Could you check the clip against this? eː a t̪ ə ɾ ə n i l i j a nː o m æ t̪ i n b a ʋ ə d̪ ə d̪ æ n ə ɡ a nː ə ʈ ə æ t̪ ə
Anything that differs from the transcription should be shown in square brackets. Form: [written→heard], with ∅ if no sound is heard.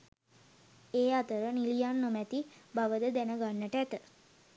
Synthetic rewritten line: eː a t̪ ə ɾ ə n i l i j a nː o m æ t̪ i [n→∅] b a ʋ ə d̪ ə d̪ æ n ə ɡ a nː ə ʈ ə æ t̪ ə